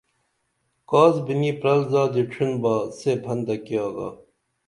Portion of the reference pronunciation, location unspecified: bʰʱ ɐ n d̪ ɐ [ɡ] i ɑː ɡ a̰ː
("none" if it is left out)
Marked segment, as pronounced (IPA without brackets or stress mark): k